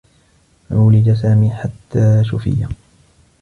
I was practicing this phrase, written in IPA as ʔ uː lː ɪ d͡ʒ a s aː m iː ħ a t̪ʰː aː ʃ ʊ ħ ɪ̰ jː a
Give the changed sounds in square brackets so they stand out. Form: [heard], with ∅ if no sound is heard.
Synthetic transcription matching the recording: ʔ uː [l] ɪ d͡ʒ a s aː m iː ħ a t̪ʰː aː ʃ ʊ [f] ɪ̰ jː a

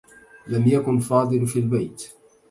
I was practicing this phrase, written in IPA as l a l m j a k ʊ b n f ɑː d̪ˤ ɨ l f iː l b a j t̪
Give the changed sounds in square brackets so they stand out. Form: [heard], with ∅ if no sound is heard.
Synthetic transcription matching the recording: l a [∅] m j a k ʊ [∅] n f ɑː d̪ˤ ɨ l f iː l b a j t̪

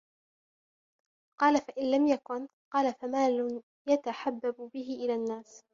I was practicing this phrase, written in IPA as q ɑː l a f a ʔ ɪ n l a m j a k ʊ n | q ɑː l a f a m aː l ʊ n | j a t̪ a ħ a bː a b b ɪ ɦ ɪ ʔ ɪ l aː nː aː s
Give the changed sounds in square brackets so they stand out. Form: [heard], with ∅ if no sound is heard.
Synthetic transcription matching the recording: q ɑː l a f a ʔ ɪ n l a m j a k ʊ n | q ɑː l a f a m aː l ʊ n | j a t̪ a ħ a bː a b b ɪ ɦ ɪ ʔ ɪ l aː nː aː s

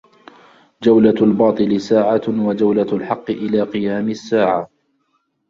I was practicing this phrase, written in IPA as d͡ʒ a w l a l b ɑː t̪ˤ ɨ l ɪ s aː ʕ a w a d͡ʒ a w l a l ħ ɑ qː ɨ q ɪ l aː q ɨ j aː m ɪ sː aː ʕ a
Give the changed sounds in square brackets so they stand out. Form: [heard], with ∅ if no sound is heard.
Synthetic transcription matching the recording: d͡ʒ a w l a l b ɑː t̪ˤ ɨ l ɪ s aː ʕ a w a d͡ʒ a w l a l ħ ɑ qː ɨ [ʔ] ɪ l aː q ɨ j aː m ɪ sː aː ʕ a

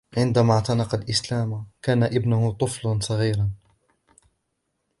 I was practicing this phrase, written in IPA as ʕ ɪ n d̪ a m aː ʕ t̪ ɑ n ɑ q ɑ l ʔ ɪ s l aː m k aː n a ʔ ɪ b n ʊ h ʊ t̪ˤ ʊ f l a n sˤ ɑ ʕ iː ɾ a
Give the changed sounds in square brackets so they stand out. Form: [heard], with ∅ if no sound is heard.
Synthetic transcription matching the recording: ʕ ɪ n d̪ a m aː ʕ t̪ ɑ n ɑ q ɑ l ʔ ɪ s l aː m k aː n a ʔ ɪ b n ʊ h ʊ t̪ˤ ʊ f l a n sˤ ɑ [ɣ] iː ɾ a

